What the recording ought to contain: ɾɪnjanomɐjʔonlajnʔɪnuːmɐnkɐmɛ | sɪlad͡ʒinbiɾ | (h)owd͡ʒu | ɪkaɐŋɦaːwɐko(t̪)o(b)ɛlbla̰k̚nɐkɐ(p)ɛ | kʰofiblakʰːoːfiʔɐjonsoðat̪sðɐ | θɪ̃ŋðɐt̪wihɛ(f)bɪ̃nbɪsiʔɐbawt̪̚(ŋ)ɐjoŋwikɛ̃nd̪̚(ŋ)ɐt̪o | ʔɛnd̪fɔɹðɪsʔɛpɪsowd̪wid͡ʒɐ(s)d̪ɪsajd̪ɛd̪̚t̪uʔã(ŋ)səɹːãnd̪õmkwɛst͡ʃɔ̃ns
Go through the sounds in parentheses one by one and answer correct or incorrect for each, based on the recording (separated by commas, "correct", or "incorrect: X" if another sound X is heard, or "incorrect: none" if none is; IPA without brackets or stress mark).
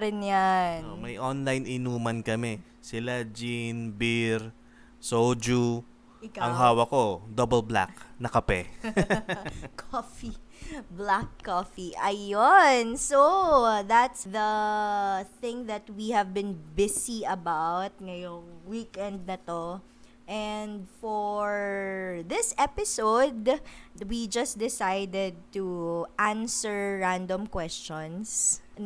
incorrect: s, incorrect: d̪, correct, correct, incorrect: v, correct, incorrect: n, correct, incorrect: n